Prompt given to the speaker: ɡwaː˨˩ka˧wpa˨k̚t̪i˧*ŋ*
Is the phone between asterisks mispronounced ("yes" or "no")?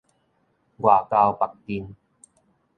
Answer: yes